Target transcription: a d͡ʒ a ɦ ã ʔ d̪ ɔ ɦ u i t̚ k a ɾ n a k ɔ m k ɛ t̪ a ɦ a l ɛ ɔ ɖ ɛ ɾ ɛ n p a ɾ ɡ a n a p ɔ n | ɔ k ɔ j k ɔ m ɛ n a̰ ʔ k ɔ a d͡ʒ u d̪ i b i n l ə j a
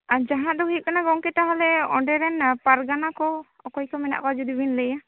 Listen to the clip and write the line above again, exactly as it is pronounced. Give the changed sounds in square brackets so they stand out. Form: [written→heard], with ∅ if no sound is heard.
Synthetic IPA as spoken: a d͡ʒ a ɦ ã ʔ d̪ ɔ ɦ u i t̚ k a [ɾ→∅] n a [k→ɡ] ɔ [m→ŋ] k ɛ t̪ a ɦ a l ɛ ɔ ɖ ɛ ɾ ɛ n p a ɾ ɡ a n a [p→k] ɔ [n→∅] | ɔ k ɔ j k ɔ m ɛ n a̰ ʔ k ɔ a d͡ʒ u d̪ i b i n l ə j a